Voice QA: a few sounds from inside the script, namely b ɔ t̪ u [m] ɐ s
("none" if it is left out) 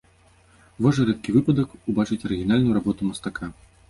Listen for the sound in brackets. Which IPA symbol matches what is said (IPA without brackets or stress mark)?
m